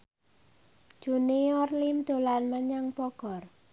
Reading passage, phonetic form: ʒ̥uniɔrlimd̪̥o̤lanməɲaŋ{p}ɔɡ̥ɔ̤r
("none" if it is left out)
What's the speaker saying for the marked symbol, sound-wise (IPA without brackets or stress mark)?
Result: p